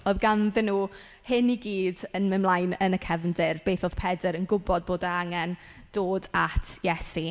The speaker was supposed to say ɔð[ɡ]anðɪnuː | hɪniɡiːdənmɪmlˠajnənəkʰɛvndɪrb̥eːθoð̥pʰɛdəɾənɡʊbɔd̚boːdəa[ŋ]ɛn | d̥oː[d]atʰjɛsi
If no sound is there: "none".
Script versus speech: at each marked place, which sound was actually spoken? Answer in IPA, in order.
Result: ɡ, ŋ, d

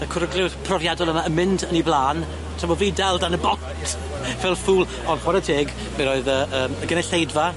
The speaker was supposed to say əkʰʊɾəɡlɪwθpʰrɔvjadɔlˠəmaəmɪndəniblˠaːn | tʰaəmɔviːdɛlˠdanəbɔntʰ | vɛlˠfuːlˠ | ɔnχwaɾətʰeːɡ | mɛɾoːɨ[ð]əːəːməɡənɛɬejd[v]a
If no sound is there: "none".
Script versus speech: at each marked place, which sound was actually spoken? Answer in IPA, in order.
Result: ð, v

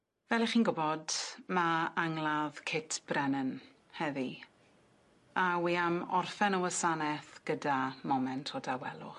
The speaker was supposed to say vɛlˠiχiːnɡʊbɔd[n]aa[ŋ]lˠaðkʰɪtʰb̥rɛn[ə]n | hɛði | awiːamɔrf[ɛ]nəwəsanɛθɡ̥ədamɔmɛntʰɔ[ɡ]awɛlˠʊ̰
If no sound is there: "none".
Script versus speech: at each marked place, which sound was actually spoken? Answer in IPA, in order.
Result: m, ŋ, ə, ɛ, d

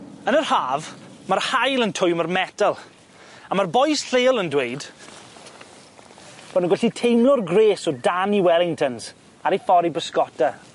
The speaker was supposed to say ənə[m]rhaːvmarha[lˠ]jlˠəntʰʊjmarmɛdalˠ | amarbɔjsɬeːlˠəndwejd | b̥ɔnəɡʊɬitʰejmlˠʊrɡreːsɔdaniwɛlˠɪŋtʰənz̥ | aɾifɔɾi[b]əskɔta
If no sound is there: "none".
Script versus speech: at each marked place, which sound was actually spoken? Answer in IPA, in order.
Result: none, none, b

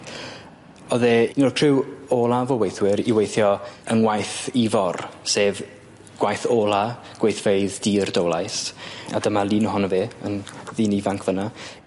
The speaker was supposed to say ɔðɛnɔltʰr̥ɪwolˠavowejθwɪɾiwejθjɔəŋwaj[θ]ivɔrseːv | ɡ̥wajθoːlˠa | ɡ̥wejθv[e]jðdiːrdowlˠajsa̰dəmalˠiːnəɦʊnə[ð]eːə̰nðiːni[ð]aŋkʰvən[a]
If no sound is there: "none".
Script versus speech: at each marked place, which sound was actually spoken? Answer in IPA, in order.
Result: θ, e, v, v, a

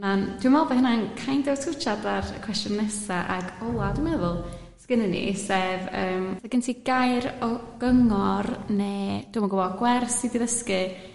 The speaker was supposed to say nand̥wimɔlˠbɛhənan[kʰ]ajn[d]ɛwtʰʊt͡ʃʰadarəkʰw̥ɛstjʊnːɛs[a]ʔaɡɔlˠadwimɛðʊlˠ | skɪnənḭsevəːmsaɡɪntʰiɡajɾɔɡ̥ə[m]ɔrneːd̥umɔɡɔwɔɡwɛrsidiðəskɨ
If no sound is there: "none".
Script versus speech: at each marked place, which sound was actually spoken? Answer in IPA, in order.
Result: kʰ, d, a, ŋ

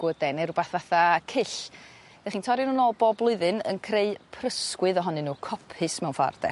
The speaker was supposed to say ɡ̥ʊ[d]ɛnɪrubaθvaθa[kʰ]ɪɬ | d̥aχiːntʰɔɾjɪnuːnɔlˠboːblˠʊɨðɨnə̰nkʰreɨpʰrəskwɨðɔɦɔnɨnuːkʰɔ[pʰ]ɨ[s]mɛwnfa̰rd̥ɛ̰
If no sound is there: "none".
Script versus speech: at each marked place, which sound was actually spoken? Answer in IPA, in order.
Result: d, kʰ, pʰ, s

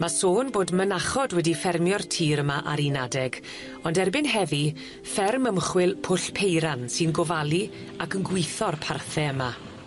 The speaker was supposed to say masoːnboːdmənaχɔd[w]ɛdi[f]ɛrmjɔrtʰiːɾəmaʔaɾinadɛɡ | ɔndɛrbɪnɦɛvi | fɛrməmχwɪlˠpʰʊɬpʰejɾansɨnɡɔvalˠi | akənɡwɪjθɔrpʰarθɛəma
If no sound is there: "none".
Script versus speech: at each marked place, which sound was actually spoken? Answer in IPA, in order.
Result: w, f

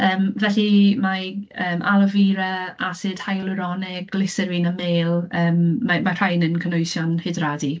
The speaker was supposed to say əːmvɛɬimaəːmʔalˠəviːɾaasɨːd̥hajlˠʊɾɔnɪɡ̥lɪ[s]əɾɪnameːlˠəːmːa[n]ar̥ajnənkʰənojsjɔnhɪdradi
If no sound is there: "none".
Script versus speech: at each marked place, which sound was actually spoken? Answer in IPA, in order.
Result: s, m

